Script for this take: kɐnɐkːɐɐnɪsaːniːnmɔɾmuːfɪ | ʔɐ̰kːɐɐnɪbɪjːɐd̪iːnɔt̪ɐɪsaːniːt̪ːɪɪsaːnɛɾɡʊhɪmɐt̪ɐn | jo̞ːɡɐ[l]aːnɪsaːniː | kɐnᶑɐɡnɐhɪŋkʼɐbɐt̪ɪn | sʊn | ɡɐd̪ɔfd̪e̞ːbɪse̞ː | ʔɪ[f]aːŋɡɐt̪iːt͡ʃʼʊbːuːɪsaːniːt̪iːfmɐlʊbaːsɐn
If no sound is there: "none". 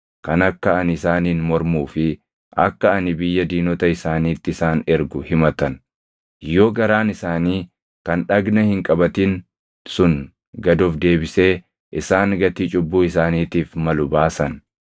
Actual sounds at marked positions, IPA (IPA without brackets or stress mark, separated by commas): ɾ, s